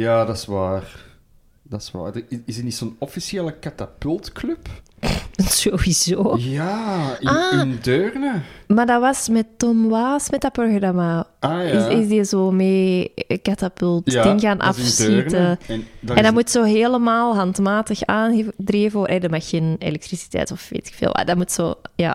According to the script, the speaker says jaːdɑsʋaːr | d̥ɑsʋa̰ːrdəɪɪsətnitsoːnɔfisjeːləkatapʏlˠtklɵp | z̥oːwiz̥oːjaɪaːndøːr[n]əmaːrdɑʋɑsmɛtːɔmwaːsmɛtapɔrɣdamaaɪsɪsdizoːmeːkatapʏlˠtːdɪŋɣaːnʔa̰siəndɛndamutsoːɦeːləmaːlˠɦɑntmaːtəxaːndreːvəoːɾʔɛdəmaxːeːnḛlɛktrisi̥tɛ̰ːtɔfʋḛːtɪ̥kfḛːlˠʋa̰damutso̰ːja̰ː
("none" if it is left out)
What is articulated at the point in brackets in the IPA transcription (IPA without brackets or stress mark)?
n